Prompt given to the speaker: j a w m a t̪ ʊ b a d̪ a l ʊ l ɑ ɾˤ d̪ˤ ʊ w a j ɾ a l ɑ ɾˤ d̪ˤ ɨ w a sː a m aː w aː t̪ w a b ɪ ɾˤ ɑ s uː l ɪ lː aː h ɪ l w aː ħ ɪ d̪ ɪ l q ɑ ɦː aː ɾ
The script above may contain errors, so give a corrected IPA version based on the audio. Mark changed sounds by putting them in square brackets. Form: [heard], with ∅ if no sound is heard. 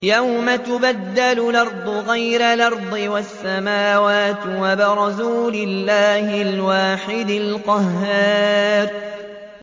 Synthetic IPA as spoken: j a w m a t̪ ʊ b a [d̪ː] a l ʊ l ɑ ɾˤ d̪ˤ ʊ [ɣ] a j ɾ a l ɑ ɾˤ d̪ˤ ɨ w a sː a m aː w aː t̪ w a b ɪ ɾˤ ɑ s uː l ɪ lː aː h ɪ l w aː ħ ɪ d̪ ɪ l q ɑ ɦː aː ɾ